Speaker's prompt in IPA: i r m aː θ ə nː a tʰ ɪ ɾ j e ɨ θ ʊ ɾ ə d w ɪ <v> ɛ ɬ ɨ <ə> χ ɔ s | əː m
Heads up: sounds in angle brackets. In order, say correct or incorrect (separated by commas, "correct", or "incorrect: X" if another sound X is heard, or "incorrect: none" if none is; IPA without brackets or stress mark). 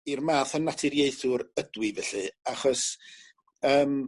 correct, incorrect: a